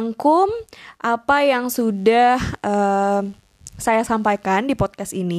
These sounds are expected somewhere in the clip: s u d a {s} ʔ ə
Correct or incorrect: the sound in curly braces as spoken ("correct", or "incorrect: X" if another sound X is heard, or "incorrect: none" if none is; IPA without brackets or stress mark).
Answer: incorrect: h